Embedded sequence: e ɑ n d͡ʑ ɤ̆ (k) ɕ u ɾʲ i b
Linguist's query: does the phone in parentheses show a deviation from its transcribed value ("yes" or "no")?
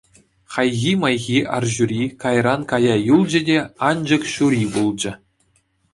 no